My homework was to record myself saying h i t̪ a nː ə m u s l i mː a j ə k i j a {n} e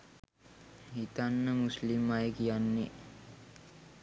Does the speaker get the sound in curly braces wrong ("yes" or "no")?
yes